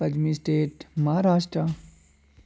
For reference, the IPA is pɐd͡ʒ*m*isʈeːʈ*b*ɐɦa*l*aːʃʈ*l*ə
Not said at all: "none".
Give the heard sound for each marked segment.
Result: m, m, ɾ, ɾ

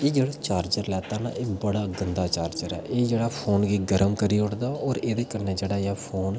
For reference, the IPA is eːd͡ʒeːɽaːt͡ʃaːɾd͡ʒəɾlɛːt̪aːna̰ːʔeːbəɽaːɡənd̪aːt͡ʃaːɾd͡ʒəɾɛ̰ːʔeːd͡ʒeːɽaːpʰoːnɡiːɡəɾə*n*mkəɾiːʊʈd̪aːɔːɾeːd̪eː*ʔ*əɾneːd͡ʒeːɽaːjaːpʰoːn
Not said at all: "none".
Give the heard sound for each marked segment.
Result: none, k

